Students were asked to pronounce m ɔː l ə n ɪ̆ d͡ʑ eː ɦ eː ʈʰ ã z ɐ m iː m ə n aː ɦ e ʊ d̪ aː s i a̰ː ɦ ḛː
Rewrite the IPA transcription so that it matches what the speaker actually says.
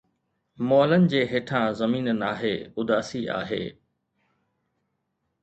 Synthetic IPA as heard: m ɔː l ə n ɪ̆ d͡ʑ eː ɦ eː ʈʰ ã z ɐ m iː n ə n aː ɦ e ʊ d̪ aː s i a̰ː ɦ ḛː